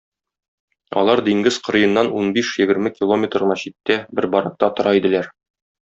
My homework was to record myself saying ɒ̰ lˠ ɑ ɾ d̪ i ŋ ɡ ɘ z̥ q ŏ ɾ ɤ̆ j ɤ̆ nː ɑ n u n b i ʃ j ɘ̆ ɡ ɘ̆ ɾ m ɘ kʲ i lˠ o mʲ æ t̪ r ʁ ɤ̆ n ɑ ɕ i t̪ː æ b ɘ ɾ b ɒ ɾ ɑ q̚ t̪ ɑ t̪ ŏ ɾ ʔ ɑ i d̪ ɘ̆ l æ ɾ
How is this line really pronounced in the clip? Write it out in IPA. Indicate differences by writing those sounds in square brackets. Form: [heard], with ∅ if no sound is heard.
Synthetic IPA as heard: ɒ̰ lˠ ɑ ɾ d̪ i ŋ ɡ ɘ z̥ q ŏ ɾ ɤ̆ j ɤ̆ nː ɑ n u n b i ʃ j ɘ̆ ɡ ɘ̆ ɾ m ɘ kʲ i lˠ o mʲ [e] t̪ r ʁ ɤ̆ n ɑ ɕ i t̪ː æ b ɘ ɾ b ɒ ɾ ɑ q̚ t̪ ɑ t̪ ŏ ɾ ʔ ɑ i d̪ ɘ̆ l æ ɾ

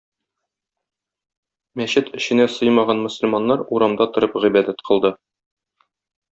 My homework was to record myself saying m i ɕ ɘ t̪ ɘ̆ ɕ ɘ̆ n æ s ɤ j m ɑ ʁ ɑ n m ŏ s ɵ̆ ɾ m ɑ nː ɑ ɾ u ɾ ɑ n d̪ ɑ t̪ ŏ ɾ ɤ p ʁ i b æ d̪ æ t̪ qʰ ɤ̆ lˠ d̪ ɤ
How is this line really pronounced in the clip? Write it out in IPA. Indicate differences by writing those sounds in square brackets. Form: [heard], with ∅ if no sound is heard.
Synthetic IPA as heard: m [æ] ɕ ɘ t̪ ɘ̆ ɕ ɘ̆ n æ s ɤ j m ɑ ʁ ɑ n m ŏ s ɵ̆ [l] m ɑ nː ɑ ɾ u ɾ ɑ [m] d̪ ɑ t̪ ŏ ɾ ɤ p ʁ i b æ d̪ æ t̪ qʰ ɤ̆ lˠ d̪ ɤ

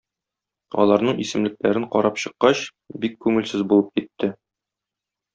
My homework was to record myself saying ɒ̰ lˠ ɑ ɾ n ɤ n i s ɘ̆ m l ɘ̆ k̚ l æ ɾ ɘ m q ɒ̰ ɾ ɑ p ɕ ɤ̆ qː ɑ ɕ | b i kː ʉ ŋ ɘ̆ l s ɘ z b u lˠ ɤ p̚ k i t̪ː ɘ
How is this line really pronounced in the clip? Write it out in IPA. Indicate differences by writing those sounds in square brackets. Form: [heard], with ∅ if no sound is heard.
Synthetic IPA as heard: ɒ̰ lˠ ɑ ɾ n ɤ [ɴ] i s ɘ̆ m l ɘ̆ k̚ l æ ɾ ɘ [ɴ] q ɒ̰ ɾ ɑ p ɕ ɤ̆ qː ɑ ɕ | b i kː ʉ ŋ ɘ̆ l s ɘ z b u lˠ ɤ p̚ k i t̪ː ɘ

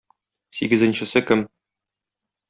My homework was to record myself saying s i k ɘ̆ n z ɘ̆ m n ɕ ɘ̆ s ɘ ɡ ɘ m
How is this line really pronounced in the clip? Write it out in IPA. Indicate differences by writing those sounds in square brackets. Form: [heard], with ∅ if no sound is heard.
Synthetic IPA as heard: s i [ɡ] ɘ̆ [∅] z ɘ̆ [∅] n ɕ ɘ̆ s ɘ [k] ɘ m

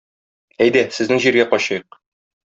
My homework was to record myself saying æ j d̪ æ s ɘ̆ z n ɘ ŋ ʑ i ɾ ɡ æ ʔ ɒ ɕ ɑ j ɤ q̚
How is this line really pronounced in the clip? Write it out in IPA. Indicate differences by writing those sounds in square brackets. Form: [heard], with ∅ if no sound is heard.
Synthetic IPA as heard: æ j d̪ æ s ɘ̆ z n ɘ ŋ ʑ i ɾ ɡ æ [q] ɒ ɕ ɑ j ɤ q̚

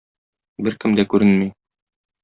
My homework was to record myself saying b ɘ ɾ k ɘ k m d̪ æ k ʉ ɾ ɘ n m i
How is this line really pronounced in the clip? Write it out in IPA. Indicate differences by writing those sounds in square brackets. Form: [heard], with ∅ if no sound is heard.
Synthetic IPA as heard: b ɘ ɾ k ɘ [∅] m d̪ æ k ʉ ɾ ɘ n m i

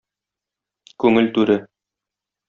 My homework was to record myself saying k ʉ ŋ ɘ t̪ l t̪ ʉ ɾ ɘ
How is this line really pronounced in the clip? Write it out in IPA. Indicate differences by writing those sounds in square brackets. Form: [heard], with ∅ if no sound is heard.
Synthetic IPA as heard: k ʉ ŋ ɘ [∅] l t̪ ʉ ɾ ɘ

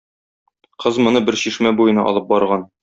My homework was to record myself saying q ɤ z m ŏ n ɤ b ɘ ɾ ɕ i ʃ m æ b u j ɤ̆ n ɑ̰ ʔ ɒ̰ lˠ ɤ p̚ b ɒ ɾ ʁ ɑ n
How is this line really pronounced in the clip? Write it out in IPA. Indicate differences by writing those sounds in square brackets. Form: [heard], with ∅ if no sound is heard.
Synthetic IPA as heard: q ɤ z m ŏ n ɤ b ɘ ɾ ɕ i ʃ m æ b u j ɤ̆ n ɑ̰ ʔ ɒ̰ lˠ ɤ p̚ b ɒ ɾ ʁ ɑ n

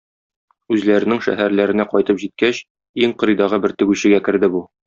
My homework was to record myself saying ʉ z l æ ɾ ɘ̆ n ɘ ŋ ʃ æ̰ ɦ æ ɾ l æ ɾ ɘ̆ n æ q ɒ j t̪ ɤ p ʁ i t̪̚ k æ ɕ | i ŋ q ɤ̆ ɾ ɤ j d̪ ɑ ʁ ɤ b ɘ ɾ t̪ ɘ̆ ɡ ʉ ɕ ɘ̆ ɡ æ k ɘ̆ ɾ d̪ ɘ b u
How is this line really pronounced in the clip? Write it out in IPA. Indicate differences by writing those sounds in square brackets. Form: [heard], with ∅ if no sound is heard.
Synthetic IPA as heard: ʉ z l æ ɾ ɘ̆ n ɘ ŋ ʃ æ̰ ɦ æ ɾ l æ ɾ ɘ̆ n æ q ɒ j t̪ ɤ p [ʑ] i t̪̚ k æ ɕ | i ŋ q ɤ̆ ɾ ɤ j d̪ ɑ ʁ ɤ b ɘ ɾ t̪ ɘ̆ ɡ ʉ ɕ ɘ̆ ɡ æ k ɘ̆ ɾ d̪ ɘ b u

